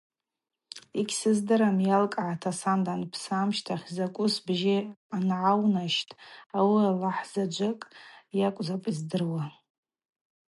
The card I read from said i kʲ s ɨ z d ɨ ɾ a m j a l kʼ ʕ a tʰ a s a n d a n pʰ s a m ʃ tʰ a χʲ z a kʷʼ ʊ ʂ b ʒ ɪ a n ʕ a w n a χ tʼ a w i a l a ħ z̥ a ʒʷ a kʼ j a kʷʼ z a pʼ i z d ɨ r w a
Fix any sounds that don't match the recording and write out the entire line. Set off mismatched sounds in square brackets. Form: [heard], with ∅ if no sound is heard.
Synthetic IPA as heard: i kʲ s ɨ z d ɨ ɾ a m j a l kʼ ʕ a tʰ a s a n d a n pʰ s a m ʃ tʰ a χʲ z a kʷʼ ʊ [s] b ʒ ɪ a n ʕ a w n a [ʃ] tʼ a w i a l a ħ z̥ a [d͡ʒʷ] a kʼ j a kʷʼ z a pʼ i z d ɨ r w a